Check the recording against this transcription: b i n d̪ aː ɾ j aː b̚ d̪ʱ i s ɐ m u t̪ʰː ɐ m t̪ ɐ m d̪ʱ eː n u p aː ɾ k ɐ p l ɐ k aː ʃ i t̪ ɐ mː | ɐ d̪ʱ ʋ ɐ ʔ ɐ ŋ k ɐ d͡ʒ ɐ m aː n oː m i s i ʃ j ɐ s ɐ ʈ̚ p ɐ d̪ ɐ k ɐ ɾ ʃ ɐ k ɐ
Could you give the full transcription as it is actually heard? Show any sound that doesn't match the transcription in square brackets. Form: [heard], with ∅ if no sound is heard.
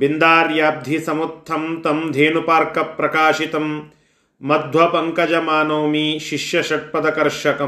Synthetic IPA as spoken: b i n d̪ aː ɾ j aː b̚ d̪ʱ i s ɐ m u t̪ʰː ɐ m t̪ ɐ m d̪ʱ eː n u p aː ɾ k ɐ p [ɾ] ɐ k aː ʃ i t̪ ɐ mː | ɐ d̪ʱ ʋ ɐ [p] ɐ ŋ k ɐ d͡ʒ ɐ m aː n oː m i [ʃ] i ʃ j ɐ [ʃ] ɐ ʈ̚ p ɐ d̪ ɐ k ɐ ɾ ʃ ɐ k ɐ